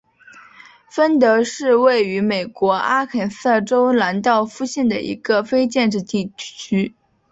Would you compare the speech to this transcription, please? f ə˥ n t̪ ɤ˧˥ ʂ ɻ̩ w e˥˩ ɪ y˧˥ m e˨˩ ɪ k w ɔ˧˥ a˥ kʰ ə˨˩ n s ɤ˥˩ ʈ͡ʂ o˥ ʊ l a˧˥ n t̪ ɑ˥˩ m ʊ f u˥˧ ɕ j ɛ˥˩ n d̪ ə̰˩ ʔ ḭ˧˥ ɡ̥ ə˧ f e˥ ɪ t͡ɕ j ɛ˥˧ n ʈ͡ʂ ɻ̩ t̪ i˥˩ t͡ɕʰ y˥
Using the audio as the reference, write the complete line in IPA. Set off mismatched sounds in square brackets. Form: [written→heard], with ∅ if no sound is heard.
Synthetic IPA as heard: f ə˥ n t̪ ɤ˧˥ ʂ ɻ̩ w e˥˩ ɪ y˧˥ m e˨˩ ɪ k w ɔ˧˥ a˥ kʰ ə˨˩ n s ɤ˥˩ ʈ͡ʂ o˥ ʊ l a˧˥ n t̪ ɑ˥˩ [m→∅] ʊ f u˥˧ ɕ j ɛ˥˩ n d̪ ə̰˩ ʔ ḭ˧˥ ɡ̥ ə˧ f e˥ ɪ t͡ɕ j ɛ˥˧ n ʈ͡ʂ ɻ̩ t̪ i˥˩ t͡ɕʰ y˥